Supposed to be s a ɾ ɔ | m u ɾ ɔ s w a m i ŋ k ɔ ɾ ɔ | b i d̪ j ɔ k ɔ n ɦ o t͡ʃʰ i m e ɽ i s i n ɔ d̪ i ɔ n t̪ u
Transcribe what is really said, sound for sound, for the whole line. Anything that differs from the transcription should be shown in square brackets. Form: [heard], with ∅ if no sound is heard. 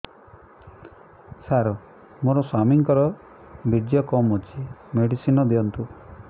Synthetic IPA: s a ɾ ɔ | m [o] ɾ ɔ s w a m i ŋ k ɔ ɾ ɔ | b i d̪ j ɔ k ɔ [m] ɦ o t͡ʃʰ i m e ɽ i s i n ɔ d̪ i ɔ n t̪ u